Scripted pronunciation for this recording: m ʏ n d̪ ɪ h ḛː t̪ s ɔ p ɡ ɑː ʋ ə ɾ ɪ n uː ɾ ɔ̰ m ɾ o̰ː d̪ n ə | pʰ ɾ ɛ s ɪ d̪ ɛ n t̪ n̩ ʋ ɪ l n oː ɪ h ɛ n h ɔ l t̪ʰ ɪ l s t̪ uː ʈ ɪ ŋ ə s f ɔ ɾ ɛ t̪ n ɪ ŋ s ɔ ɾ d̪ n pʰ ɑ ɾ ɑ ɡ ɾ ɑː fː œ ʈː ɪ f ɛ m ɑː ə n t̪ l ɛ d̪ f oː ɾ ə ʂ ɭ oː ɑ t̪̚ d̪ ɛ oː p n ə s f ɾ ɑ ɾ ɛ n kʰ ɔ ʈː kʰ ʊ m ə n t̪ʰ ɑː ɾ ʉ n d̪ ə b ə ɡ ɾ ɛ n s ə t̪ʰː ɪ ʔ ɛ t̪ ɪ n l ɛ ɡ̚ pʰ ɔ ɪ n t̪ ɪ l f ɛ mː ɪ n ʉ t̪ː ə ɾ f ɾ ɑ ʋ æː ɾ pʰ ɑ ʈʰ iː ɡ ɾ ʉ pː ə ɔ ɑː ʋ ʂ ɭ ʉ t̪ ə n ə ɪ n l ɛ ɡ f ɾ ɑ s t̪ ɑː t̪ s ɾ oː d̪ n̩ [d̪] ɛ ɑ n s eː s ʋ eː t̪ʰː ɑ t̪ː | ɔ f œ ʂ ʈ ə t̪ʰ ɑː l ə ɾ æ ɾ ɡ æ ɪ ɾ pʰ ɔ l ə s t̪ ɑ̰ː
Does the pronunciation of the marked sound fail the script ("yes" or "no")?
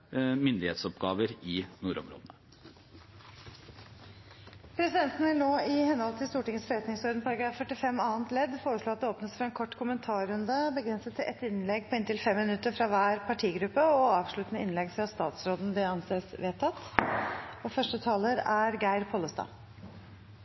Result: no